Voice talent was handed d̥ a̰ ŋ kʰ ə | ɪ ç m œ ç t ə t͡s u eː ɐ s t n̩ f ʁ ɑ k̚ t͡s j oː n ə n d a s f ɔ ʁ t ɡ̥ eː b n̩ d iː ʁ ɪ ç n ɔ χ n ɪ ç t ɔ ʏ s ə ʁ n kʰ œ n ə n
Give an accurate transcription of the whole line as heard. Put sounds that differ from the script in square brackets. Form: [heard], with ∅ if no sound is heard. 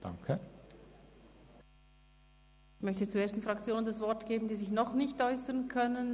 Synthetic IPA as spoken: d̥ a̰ ŋ kʰ ə | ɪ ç m œ ç t ə t͡s u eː ɐ s t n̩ f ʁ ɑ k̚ t͡s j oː n ə n d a s [v] ɔ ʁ t ɡ̥ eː b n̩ d iː [z] ɪ ç n ɔ χ n ɪ ç t ɔ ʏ s ə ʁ n kʰ œ n ə n